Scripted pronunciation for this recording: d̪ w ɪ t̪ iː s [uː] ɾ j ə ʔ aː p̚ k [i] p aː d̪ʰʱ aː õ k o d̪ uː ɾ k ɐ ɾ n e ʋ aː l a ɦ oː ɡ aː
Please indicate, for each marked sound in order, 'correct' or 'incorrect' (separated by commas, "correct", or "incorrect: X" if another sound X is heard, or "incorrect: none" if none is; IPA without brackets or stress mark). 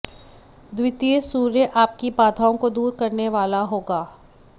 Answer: correct, correct